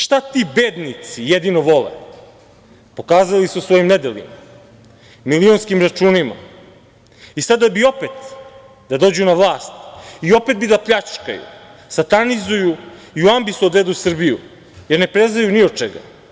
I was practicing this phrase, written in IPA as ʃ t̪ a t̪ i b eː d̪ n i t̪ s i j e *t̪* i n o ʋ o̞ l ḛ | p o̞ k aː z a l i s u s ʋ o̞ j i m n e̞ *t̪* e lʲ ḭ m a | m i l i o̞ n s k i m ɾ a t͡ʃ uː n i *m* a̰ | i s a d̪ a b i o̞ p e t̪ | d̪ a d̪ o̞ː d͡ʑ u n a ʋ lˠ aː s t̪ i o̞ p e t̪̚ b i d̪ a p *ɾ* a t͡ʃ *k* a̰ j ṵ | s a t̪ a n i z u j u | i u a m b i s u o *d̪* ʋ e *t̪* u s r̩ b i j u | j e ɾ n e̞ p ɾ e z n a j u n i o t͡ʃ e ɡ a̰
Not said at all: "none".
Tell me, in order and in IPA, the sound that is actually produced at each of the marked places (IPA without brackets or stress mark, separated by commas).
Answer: d̪, d̪, m, ʎ, k, d̪, d̪